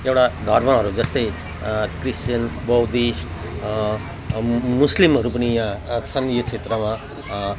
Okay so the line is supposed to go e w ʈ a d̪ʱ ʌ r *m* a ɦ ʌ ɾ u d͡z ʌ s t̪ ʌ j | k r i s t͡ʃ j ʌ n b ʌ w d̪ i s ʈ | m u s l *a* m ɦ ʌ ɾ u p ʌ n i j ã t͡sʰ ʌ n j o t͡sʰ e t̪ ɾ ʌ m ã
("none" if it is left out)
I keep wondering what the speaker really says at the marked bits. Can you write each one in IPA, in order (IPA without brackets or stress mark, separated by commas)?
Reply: m, i